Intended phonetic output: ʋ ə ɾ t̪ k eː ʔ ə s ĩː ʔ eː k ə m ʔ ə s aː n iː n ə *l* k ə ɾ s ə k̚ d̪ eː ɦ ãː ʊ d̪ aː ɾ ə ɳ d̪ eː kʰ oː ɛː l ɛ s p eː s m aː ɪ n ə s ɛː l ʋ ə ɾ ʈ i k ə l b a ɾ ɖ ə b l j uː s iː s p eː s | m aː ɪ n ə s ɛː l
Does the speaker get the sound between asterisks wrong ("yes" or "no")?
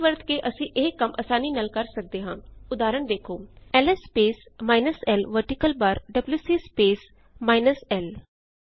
no